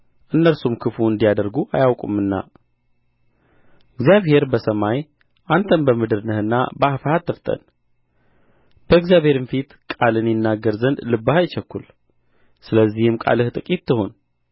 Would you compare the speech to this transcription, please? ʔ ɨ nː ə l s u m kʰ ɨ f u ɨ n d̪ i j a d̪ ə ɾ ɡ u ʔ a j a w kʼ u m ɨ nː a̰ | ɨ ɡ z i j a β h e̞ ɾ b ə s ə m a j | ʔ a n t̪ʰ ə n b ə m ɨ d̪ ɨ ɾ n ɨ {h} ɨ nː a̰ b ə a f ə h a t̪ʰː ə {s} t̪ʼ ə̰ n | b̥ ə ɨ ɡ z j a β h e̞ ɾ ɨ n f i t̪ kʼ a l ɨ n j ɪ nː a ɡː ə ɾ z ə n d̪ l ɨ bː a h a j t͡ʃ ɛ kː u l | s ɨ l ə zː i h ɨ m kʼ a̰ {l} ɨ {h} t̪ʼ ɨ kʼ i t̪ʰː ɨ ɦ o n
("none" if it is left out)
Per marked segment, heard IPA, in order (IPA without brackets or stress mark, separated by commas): h, f, l, h